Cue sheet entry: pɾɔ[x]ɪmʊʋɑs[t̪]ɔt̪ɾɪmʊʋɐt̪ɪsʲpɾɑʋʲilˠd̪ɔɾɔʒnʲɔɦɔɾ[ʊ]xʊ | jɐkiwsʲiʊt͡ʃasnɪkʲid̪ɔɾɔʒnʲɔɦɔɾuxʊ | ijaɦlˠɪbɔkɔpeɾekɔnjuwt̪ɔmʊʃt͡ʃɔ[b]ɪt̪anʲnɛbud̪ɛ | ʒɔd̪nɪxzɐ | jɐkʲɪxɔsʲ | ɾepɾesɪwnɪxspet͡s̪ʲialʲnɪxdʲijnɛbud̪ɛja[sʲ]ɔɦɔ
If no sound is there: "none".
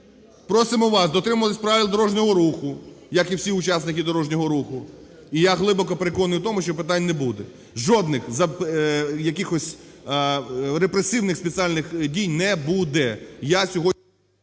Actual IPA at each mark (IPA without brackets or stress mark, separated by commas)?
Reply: s, d̪, u, p, sʲ